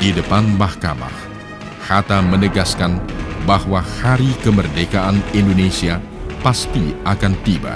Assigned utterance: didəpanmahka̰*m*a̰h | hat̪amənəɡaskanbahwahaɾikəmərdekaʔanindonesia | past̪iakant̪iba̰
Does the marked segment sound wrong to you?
no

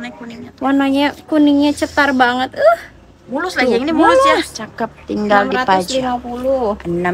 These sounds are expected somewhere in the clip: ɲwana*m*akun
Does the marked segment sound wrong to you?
yes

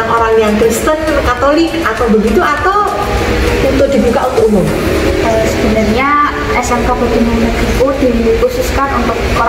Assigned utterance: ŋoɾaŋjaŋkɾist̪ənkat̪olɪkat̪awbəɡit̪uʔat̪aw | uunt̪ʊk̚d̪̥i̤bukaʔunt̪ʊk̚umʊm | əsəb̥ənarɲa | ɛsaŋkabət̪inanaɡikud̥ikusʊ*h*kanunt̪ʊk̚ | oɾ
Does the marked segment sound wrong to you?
yes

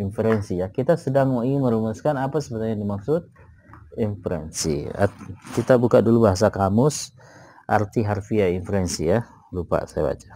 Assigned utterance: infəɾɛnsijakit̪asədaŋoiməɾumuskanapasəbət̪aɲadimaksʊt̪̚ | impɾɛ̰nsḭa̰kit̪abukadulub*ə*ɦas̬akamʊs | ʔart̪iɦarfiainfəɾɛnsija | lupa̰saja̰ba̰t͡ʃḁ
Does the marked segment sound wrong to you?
yes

